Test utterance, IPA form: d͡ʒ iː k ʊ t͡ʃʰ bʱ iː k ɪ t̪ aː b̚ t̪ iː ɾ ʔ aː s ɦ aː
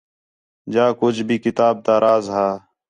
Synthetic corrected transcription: d͡ʒ aː k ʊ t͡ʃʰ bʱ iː k ɪ t̪ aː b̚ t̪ aː ɾ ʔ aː z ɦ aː